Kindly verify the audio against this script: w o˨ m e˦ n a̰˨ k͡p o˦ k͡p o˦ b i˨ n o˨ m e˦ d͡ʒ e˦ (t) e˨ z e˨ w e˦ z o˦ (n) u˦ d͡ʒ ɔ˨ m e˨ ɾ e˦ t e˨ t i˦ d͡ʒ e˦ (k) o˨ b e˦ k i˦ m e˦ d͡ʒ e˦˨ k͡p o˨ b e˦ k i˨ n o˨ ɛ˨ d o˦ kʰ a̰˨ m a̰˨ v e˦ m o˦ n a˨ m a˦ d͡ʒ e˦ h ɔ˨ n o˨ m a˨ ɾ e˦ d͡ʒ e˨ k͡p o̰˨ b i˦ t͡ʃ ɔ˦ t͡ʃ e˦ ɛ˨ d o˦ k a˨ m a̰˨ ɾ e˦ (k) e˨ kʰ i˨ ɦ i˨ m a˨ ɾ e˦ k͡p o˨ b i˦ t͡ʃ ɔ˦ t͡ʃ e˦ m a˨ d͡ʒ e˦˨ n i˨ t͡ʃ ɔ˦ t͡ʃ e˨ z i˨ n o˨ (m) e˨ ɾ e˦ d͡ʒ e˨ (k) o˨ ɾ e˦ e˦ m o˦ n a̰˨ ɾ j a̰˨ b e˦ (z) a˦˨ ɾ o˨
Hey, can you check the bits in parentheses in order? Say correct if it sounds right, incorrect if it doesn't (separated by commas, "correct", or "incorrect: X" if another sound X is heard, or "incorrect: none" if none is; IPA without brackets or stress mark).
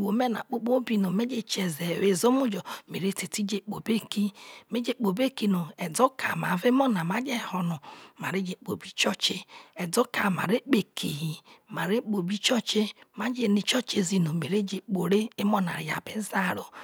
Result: incorrect: t͡ʃ, incorrect: m, incorrect: k͡p, incorrect: k͡p, correct, incorrect: k͡p, correct